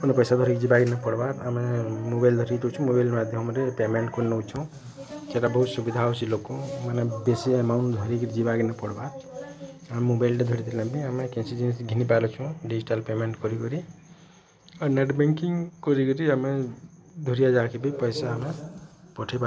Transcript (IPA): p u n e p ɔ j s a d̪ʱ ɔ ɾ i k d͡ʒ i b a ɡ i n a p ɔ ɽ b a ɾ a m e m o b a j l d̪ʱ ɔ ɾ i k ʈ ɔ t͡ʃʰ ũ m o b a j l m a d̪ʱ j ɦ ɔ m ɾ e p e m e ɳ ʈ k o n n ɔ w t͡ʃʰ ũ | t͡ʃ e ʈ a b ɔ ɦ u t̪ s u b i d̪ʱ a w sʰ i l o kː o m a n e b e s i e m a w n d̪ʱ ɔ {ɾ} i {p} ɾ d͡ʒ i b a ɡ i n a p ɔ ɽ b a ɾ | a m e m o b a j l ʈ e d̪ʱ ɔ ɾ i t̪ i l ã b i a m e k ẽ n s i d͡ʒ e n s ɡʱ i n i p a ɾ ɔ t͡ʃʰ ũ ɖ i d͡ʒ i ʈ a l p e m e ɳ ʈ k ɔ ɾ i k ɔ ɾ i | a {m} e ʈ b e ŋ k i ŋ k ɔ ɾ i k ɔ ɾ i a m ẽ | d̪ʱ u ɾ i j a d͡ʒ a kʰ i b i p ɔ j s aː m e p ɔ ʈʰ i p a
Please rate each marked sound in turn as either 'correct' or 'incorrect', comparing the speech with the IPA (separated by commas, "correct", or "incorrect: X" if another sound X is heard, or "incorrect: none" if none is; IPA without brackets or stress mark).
correct, incorrect: k, incorrect: n